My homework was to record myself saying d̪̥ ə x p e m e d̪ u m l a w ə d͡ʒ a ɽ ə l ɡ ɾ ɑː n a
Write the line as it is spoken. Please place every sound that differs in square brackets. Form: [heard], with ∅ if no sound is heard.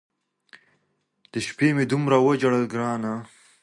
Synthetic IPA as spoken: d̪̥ ə [ʃ] p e m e d̪ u m [ɾ] a w ə d͡ʒ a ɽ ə l ɡ ɾ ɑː n a